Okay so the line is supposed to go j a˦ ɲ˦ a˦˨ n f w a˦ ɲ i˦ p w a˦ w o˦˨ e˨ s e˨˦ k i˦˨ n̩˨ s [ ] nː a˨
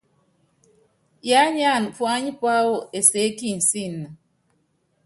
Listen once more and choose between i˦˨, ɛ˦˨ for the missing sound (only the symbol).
i˦˨